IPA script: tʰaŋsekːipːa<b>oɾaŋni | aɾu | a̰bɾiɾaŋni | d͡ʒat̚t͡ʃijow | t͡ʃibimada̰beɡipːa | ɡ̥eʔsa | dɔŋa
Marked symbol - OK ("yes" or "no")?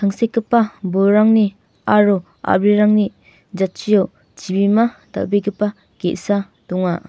yes